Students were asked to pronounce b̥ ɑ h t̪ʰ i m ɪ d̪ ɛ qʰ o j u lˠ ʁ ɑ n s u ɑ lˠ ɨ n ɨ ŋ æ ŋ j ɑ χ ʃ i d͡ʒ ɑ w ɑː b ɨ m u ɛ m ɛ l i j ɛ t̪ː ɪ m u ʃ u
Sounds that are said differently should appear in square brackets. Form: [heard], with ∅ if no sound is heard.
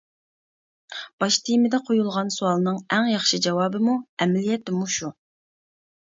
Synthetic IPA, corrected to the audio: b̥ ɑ [ʃ] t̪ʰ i m ɪ d̪ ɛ qʰ o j u lˠ ʁ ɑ n s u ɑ lˠ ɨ n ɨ ŋ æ ŋ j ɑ χ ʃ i d͡ʒ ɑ w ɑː b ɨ m u ɛ m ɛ l i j ɛ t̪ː ɪ m u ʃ u